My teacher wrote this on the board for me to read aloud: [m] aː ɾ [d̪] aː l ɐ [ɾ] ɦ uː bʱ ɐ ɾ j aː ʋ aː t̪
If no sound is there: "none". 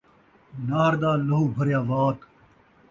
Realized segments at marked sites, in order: n, d̪, none

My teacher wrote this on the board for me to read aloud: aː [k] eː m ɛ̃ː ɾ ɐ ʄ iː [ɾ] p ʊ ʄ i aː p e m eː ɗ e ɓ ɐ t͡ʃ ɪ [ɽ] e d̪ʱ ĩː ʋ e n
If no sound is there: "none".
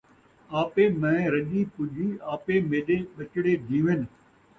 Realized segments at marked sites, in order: p, none, ɽ

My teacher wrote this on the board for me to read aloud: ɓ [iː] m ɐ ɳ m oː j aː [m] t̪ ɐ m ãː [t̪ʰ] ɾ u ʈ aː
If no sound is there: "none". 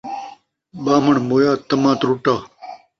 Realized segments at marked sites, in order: aː, none, t̪

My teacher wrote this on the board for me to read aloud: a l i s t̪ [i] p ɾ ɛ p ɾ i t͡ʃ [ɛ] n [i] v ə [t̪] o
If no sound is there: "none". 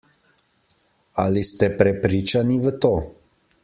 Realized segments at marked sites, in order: ɛ, a, i, t̪

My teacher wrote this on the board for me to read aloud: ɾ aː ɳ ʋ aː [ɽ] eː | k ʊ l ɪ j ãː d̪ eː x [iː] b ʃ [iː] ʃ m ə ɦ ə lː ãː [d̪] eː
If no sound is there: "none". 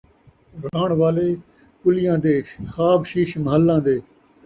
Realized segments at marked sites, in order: l, aː, iː, d̪

